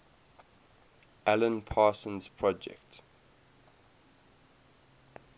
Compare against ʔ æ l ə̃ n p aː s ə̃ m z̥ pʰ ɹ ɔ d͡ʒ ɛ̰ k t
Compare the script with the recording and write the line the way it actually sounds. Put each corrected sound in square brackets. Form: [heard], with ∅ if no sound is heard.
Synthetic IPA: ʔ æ l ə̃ n [pʰ] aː s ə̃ [n] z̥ pʰ ɹ ɔ d͡ʒ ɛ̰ k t